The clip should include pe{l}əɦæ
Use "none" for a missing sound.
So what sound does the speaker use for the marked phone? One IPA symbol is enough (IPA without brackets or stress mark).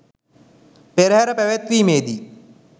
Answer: ɾ